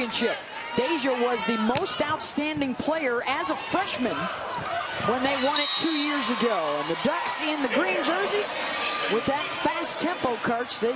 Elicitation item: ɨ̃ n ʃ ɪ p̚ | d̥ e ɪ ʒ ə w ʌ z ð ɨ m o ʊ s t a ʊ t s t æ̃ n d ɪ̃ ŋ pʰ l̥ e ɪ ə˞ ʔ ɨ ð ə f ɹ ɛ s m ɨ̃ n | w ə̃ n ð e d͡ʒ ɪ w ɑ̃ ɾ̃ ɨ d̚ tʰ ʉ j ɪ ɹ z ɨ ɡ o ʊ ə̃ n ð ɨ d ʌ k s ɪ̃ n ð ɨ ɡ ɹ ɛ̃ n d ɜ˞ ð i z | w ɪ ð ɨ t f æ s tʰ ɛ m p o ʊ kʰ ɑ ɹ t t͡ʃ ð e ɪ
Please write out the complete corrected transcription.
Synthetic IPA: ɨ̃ n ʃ ɪ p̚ | d̥ e ɪ ʒ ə w ʌ z ð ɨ m o ʊ s t a ʊ t s t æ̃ n d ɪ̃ ŋ pʰ l̥ e ɪ ə˞ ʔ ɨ z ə f ɹ ɛ ʃ m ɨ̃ n | w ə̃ n ð e ɪ w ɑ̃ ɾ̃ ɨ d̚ tʰ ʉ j ɪ ɹ z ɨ ɡ o ʊ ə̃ n ð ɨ d ʌ k s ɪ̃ n ð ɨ ɡ ɹ ĩ n d͡ʒ ɜ˞ z i z | w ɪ ð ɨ t f æ s tʰ ɛ̃ m p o ʊ kʰ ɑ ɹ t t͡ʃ ð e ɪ